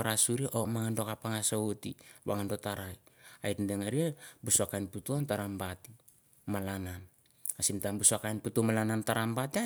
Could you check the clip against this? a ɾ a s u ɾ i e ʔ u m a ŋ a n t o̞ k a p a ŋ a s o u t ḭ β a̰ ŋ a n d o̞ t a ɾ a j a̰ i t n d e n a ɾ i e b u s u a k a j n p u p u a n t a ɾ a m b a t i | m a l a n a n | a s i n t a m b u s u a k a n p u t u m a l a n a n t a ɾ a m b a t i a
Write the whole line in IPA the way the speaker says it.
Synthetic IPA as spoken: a ɾ a s u ɾ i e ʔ o m a ŋ a n d o̞ k a p a ŋ a s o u t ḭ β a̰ ŋ a n d o̞ t a ɾ a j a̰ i t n d e ŋ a ɾ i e b u s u a k a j n p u t u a n t a ɾ a m b a t i | m a l a n a n | a s i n t a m b u s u a k a n p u t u m a l a n a n t a ɾ a m b a t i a